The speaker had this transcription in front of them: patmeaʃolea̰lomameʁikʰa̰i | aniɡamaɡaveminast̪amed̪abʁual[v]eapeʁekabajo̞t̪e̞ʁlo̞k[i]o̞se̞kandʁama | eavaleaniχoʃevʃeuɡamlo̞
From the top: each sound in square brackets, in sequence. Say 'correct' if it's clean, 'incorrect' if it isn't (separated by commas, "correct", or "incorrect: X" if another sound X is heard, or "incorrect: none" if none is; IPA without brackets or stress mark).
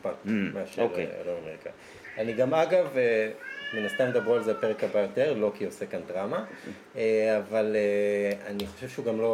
incorrect: z, correct